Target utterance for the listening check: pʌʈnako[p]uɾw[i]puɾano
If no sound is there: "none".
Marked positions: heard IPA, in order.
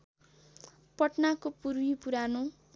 p, i

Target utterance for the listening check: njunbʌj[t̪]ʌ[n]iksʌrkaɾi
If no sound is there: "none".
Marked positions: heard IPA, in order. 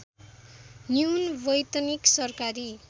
t̪, n

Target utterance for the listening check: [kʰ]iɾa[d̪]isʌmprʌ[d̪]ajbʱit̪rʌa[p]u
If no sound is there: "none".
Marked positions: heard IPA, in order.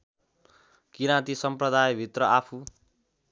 k, t̪, d̪, pʰ

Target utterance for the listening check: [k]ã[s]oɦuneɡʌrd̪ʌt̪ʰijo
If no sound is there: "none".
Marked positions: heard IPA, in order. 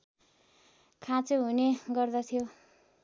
kʰ, t͡s

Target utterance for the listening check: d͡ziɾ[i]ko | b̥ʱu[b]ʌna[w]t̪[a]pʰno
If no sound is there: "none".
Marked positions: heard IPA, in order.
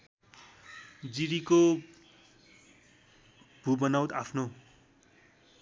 i, b, w, a

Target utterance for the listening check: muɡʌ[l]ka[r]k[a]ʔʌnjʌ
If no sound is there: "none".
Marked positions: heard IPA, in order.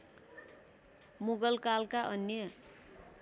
l, l, a

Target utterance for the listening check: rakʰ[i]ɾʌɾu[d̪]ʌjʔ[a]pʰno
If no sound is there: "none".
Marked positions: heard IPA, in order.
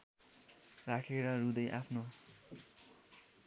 e, d̪, a

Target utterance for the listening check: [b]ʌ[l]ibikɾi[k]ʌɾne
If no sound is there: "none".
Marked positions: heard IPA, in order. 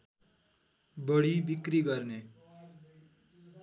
b, ɽ, ɡ

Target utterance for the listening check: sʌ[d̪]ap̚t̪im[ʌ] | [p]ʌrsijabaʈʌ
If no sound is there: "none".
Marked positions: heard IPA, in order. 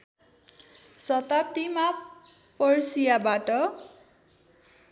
t̪, a, p

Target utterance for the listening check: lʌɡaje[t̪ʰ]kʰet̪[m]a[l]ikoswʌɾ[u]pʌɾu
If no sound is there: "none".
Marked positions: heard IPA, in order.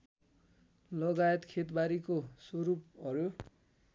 t̪, b, ɾ, u

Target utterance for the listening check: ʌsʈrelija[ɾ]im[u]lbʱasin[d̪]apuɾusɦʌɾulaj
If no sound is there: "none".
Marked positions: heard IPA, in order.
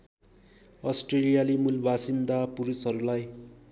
l, u, d̪

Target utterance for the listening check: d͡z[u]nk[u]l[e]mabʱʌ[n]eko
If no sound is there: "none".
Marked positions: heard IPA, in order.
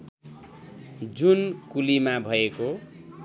u, u, i, none

